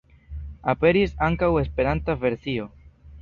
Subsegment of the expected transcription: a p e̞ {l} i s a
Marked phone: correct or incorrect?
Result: incorrect